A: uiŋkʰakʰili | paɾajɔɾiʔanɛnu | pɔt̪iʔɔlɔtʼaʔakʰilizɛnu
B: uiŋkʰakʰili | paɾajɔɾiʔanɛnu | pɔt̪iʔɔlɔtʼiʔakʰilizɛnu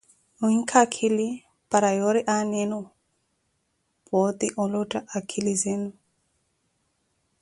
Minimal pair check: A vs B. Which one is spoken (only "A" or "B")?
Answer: A